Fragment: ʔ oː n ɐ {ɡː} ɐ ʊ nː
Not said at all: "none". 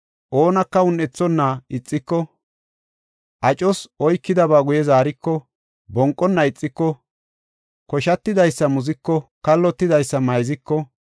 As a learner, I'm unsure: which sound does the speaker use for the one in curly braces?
kː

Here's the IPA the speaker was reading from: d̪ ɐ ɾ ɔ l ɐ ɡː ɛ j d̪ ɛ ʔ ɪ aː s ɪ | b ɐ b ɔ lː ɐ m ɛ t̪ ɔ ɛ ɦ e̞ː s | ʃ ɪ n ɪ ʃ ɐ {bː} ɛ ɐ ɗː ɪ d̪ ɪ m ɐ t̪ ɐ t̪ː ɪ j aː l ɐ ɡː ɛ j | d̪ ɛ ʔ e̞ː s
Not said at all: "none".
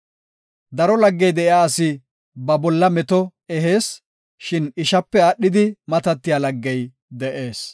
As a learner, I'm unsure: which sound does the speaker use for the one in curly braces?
pː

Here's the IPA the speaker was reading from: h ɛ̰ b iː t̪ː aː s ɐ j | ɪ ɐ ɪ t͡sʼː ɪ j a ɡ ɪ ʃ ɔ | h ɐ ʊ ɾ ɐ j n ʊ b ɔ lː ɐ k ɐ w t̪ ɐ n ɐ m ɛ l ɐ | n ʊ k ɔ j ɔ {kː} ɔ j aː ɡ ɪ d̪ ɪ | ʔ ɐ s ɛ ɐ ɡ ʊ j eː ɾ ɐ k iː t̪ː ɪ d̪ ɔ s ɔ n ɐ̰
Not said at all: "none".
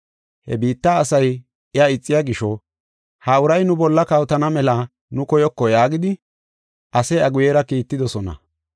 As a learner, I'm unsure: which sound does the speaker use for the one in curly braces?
kː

